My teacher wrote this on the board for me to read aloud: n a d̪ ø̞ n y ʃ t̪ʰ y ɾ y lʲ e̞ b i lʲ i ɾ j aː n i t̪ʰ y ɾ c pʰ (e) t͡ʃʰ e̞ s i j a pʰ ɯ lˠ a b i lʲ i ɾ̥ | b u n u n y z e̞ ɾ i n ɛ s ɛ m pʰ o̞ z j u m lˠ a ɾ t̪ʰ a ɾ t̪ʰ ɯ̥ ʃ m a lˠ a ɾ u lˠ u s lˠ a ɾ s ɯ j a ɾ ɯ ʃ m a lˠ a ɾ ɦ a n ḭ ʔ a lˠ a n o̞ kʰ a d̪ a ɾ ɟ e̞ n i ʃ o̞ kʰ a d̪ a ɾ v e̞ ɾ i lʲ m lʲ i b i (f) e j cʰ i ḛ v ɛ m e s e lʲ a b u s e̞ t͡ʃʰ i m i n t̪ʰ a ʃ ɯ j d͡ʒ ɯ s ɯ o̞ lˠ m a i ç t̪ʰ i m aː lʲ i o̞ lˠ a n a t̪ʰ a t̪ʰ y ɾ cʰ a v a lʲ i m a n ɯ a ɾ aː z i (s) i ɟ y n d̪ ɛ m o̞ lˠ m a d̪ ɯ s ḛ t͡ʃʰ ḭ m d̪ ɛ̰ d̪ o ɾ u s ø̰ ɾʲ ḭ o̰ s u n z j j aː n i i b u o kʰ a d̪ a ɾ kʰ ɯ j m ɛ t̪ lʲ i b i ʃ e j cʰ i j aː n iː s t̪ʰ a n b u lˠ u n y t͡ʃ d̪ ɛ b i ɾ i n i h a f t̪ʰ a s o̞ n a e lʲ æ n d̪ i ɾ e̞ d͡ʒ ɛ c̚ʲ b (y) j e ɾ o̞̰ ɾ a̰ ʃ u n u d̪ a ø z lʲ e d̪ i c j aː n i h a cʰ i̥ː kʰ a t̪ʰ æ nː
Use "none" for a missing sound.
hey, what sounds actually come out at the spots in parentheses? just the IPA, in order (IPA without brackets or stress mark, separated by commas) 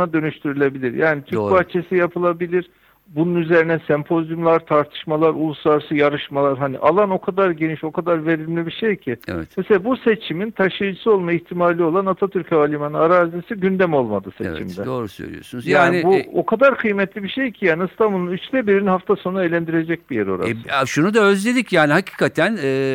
a, ʃ, s, i